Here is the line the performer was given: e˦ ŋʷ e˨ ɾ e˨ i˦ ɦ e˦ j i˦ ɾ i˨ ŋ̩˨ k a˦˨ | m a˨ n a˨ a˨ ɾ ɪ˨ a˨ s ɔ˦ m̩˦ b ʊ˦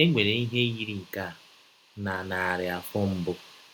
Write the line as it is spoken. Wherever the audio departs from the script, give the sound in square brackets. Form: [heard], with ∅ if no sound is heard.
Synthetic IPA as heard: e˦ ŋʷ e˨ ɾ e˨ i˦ ɦ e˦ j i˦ ɾ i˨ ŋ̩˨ k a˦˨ | [n] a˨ n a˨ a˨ ɾ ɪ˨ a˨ [f] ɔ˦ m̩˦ b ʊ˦